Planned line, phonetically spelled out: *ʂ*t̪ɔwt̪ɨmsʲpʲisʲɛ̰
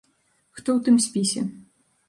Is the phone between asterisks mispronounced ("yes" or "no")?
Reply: yes